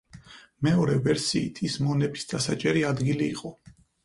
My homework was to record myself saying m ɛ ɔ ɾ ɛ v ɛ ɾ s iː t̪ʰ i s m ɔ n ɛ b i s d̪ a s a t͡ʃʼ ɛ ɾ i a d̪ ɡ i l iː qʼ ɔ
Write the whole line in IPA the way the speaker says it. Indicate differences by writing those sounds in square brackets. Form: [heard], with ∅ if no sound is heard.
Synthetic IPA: m ɛ ɔ ɾ ɛ v ɛ ɾ s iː t̪ʰ i s m ɔ n ɛ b i s d̪ a s a t͡ʃʼ ɛ ɾ i a d̪ ɡ i l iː qʼ ɔ